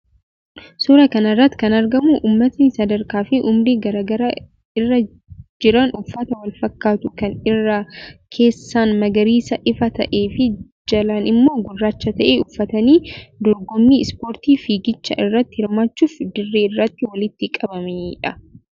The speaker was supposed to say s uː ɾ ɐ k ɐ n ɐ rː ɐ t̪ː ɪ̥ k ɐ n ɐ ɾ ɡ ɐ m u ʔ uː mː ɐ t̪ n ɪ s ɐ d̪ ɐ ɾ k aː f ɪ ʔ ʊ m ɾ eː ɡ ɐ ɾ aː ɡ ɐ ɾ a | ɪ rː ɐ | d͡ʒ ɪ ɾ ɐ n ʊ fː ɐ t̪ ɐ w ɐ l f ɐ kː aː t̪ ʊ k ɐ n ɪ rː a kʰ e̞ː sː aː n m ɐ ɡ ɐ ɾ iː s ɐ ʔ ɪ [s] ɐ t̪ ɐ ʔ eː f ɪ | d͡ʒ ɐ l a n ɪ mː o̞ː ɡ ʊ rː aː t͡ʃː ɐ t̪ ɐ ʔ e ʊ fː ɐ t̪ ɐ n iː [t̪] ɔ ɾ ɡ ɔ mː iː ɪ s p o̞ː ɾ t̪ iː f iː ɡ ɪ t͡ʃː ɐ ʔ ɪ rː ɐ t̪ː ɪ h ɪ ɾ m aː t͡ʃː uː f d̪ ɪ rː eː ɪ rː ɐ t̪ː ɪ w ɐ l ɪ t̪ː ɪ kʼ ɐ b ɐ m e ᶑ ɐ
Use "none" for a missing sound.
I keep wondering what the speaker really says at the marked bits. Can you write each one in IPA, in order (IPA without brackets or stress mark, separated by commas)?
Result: f, d̪